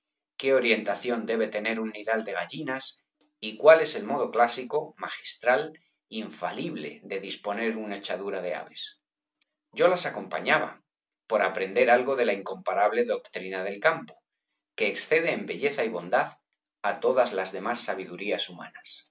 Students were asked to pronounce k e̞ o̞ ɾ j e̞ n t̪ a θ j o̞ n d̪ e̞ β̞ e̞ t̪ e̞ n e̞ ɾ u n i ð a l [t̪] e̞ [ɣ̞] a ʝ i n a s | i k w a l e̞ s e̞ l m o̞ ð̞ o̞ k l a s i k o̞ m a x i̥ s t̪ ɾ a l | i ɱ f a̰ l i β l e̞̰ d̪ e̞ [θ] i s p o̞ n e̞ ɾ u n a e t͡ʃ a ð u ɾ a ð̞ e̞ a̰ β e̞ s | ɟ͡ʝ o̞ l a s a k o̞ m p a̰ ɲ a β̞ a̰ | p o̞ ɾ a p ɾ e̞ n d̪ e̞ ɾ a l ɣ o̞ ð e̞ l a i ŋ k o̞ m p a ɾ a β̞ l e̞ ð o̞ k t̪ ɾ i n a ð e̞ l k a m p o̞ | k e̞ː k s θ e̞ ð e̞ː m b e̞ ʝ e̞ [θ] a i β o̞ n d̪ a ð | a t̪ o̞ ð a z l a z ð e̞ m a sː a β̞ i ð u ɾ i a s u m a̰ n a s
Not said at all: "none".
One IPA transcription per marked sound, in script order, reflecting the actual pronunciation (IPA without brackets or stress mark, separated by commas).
d̪, ɣ̞, ð, θ